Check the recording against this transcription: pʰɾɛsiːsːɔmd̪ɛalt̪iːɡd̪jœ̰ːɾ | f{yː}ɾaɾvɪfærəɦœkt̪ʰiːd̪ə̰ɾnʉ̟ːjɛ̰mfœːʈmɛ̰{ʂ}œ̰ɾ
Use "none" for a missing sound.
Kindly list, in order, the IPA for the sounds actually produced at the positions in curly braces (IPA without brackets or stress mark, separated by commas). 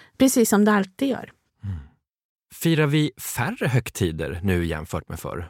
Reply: iː, f